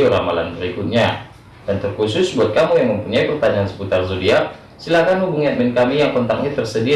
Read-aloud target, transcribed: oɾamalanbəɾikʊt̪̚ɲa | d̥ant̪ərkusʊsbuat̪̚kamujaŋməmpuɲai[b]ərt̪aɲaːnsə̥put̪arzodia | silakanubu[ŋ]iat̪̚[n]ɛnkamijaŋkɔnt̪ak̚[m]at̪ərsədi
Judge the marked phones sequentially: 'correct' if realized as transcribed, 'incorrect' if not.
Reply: incorrect: p, correct, incorrect: m, incorrect: ɲ

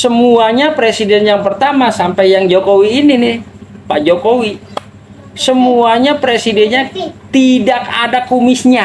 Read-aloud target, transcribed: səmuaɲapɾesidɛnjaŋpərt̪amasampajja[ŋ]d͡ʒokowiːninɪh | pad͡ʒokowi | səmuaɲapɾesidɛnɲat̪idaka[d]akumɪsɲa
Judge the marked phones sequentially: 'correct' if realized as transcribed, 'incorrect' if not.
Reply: correct, correct

